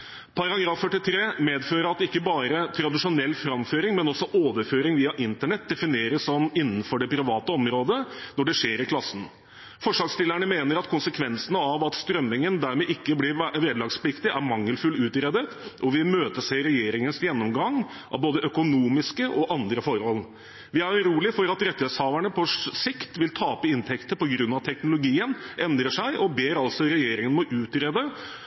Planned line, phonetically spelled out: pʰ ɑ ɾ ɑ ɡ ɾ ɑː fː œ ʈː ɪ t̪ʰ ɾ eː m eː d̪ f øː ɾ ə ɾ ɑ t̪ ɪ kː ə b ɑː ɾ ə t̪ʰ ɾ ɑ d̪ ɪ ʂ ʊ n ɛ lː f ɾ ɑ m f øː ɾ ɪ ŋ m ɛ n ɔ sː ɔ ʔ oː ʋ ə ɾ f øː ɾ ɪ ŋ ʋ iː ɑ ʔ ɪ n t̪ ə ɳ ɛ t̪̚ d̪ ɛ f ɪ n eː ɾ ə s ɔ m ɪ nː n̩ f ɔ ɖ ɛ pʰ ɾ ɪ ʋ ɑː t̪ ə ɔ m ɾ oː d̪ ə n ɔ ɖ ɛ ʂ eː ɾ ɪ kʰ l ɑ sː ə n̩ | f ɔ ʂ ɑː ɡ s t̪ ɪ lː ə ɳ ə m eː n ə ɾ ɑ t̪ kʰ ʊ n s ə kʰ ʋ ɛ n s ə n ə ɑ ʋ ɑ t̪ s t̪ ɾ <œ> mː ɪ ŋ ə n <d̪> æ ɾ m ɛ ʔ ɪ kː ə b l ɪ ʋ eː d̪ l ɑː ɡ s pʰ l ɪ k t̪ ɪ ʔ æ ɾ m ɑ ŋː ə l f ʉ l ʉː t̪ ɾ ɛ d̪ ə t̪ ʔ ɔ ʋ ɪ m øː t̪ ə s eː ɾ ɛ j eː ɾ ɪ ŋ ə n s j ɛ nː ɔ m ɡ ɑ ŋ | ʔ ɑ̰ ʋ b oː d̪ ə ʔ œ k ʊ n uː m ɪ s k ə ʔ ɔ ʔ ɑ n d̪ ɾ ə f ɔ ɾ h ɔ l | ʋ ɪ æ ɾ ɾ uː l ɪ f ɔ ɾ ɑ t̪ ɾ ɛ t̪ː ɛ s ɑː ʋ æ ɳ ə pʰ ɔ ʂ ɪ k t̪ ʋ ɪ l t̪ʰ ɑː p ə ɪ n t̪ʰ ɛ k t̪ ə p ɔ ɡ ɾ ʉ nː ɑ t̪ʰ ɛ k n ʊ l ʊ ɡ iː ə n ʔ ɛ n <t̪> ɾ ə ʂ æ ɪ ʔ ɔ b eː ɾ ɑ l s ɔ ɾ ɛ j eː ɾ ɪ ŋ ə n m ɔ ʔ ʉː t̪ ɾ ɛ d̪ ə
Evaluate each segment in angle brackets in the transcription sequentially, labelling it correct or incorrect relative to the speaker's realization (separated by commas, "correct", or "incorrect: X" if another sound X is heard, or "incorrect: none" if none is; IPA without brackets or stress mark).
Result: correct, correct, incorrect: d̪